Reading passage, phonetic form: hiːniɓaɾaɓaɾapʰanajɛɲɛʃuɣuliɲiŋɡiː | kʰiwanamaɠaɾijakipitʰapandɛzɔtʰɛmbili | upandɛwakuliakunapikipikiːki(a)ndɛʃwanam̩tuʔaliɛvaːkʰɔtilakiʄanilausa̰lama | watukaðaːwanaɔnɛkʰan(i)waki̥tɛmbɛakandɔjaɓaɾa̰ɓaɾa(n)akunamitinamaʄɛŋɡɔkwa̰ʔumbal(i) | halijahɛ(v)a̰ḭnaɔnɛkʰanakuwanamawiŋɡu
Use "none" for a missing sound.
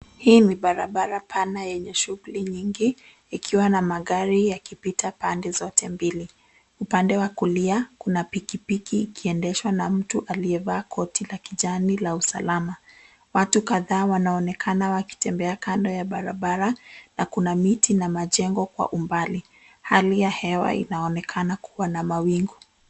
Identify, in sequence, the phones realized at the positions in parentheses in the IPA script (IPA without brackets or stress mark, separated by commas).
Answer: ɛ, a, n, i, w